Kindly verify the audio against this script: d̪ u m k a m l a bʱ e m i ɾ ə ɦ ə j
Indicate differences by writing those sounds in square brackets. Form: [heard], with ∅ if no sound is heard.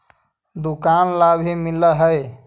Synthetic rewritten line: d̪ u [∅] k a [n] l a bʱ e m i [l] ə ɦ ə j